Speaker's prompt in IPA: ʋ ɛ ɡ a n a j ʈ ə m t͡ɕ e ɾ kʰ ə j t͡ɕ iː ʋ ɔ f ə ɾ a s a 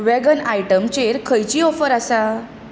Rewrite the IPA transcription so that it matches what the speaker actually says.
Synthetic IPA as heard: ʋ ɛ ɡ ə n a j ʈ ə m t͡ɕ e ɾ kʰ ə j t͡ɕ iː ɔ f ə ɾ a s a